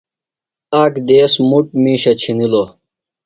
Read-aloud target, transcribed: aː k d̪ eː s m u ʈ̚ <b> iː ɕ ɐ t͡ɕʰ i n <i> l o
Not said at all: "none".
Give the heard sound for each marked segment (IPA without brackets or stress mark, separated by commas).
m, i